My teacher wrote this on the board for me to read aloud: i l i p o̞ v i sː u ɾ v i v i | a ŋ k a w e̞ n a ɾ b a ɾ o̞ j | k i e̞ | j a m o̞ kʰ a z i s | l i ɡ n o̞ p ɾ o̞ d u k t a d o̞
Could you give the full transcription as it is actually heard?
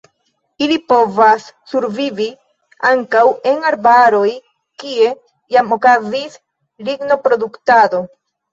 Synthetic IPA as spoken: i l i p o̞ v a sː u ɾ v i v i | a ŋ k a w e̞ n a ɾ b a ɾ o̞ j | k i e̞ | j a m o̞ k a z i s | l i ɡ n o̞ p ɾ o̞ d u k t a d o̞